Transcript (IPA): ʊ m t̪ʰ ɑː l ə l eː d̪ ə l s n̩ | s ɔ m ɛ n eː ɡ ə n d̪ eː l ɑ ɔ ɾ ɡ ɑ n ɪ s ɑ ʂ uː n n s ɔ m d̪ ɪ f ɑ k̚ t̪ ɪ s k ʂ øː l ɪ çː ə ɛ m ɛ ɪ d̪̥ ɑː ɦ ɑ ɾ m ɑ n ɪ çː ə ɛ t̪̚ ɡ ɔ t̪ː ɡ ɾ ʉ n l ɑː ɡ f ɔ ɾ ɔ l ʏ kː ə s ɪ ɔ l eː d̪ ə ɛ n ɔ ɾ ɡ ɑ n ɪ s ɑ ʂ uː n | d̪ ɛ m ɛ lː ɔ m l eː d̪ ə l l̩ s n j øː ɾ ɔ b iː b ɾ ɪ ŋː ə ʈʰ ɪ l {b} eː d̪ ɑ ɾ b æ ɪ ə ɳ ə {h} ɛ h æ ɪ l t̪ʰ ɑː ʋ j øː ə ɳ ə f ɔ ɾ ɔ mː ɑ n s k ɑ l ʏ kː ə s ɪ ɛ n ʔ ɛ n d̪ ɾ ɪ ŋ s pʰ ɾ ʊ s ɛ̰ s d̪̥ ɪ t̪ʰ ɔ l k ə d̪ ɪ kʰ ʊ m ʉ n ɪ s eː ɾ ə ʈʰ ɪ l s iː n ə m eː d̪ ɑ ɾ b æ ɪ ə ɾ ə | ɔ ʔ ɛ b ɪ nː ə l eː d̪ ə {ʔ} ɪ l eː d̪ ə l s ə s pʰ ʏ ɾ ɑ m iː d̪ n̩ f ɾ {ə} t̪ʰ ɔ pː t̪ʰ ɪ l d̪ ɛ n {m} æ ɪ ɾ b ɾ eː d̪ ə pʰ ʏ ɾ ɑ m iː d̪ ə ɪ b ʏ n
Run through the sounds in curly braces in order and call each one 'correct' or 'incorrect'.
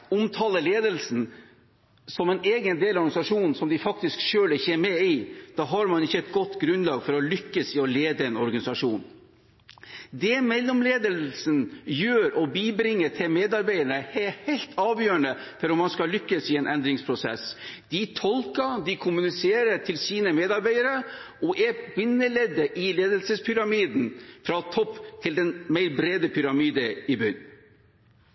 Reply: incorrect: m, correct, correct, incorrect: ɑ, correct

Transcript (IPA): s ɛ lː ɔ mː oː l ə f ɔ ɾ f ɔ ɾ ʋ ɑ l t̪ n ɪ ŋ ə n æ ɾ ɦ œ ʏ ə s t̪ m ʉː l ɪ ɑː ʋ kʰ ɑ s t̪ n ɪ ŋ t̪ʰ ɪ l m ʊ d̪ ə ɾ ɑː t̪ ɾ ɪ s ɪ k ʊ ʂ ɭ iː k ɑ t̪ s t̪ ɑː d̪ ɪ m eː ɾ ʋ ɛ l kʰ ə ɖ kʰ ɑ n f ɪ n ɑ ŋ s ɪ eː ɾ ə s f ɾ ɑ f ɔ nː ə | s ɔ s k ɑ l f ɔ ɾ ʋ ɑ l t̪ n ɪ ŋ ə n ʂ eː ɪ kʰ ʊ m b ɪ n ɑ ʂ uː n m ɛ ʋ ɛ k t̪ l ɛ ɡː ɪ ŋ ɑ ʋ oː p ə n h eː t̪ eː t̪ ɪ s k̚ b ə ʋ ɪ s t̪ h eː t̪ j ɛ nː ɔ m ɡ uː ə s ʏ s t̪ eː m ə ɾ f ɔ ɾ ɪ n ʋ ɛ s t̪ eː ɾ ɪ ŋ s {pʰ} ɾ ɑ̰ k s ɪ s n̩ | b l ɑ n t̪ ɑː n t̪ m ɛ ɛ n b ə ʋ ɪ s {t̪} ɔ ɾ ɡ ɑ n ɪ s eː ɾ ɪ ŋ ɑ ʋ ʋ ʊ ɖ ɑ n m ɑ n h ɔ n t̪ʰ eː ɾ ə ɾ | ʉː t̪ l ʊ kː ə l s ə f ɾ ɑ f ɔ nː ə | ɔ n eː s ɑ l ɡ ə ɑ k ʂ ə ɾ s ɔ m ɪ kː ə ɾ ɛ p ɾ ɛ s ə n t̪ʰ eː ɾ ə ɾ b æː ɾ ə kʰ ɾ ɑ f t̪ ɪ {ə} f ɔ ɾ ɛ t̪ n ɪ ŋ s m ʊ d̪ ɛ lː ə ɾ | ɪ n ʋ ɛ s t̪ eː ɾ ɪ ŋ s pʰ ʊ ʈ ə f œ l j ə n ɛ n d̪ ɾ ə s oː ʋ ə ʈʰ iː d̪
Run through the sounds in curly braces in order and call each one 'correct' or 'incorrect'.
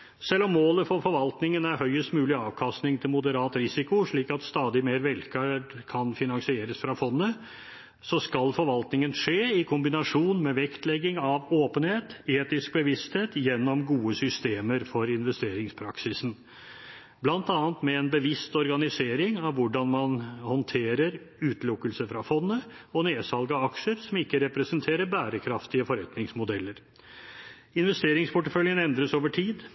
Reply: correct, correct, correct

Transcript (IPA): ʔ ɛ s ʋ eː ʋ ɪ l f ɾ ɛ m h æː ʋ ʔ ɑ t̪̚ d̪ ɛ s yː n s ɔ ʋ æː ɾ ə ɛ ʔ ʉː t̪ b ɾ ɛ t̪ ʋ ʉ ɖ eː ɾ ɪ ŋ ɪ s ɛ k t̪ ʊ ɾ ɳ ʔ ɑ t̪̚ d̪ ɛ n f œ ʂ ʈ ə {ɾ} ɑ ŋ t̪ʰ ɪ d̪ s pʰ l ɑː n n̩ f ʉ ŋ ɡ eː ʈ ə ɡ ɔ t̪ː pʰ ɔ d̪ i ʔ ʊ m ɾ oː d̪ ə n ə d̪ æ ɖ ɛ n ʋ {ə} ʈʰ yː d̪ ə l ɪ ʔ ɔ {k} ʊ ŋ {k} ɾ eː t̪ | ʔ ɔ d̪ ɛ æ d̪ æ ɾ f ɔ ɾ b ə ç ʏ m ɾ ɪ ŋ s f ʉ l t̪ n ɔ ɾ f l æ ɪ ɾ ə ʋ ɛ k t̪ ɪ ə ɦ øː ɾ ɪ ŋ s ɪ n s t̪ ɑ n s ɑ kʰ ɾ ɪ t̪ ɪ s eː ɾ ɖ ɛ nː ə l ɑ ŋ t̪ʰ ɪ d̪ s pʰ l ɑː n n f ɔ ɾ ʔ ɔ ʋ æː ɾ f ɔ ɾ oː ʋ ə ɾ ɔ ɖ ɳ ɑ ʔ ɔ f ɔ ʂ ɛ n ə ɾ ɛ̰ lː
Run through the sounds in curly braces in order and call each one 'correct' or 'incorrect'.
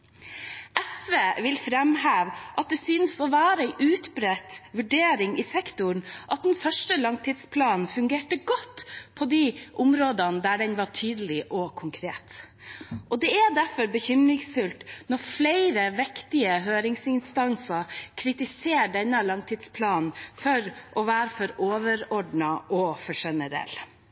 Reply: incorrect: l, incorrect: ɑ, incorrect: kʰ, incorrect: kʰ

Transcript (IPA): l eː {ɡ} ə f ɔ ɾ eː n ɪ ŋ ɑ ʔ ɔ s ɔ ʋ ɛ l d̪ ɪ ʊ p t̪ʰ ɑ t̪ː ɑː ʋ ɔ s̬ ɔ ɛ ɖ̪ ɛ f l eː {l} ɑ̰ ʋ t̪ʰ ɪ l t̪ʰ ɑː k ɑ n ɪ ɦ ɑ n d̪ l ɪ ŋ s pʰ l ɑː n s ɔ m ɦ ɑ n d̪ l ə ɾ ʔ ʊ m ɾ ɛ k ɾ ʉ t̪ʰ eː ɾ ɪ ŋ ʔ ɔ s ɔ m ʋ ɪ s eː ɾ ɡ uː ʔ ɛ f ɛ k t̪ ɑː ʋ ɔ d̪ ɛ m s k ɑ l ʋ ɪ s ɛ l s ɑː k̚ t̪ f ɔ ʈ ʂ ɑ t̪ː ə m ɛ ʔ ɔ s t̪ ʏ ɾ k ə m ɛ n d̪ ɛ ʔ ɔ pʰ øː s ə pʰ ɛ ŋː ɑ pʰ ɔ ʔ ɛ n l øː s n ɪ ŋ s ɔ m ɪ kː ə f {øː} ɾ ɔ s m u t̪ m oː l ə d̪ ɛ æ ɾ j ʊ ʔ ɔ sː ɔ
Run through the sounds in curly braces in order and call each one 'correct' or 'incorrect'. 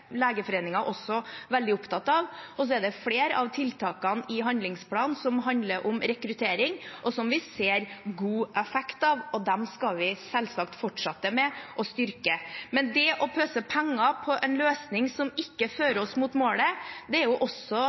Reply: correct, incorrect: ɾ, correct

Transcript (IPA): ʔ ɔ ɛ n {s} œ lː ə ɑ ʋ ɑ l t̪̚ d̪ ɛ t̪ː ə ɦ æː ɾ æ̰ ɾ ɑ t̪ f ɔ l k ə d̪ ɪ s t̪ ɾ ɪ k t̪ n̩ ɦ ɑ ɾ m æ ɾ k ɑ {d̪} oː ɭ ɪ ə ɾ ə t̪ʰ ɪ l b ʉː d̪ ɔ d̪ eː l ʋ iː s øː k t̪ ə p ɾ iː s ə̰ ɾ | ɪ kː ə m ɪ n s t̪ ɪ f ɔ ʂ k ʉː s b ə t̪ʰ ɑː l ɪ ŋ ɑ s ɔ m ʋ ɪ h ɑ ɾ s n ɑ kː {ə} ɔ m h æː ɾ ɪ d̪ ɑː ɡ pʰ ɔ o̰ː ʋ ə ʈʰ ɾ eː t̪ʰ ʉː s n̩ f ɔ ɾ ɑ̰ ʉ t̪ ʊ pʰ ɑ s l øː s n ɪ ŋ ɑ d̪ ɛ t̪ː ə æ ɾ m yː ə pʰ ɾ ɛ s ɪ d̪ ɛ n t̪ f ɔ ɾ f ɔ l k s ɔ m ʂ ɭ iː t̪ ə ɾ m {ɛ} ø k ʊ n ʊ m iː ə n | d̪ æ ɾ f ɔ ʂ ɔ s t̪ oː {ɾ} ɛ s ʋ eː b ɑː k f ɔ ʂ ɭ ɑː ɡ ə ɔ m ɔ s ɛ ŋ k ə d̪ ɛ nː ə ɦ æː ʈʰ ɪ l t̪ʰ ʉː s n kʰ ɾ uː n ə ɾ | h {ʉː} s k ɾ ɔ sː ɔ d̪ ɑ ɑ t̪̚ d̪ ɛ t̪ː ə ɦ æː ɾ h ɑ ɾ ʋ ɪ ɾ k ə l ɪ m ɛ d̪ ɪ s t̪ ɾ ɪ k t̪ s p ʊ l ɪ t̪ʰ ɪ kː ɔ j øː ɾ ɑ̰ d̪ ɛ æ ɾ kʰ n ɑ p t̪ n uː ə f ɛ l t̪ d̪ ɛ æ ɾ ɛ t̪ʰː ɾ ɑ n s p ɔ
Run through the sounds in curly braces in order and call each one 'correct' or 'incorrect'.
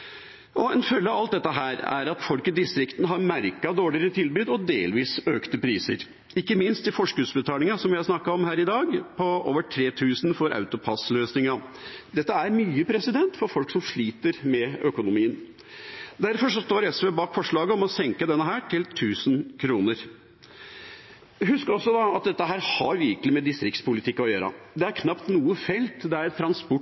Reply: incorrect: f, correct, incorrect: ɑ, correct, correct, incorrect: ʉ

